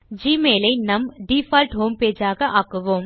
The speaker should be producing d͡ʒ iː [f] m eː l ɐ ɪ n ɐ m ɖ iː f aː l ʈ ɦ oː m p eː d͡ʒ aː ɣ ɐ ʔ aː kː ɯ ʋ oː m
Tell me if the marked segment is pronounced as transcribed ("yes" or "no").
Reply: no